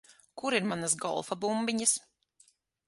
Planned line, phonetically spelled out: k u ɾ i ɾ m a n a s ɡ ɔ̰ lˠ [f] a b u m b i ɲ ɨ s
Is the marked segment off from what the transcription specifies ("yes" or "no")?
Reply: no